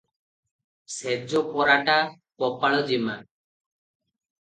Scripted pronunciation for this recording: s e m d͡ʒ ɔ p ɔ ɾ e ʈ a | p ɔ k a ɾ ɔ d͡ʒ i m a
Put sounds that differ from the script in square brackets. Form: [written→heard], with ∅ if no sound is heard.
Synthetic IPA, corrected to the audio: s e [m→∅] d͡ʒ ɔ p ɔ ɾ [e→a] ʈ a | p ɔ [k→p] a [ɾ→ɭ] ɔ d͡ʒ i m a